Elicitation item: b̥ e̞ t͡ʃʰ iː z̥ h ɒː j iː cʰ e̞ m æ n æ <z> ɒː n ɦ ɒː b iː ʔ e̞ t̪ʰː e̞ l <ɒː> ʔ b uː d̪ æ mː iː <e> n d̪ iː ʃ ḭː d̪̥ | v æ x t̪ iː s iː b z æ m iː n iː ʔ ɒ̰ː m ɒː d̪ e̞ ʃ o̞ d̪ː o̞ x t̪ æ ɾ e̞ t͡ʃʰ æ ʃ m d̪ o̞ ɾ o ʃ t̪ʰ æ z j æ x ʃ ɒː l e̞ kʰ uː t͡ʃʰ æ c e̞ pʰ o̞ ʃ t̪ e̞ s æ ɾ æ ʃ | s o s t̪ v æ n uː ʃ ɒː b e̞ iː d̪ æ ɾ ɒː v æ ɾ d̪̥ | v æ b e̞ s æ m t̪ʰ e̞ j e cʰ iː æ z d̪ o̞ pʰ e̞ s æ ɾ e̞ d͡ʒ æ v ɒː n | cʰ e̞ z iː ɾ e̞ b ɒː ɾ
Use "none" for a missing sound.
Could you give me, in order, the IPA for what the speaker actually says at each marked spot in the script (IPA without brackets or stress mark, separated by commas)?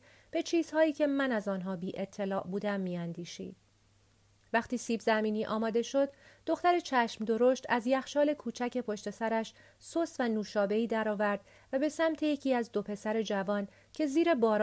z, ɒː, æ